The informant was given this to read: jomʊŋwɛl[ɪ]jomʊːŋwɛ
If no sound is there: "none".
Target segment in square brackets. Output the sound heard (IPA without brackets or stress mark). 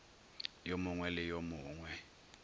ɪ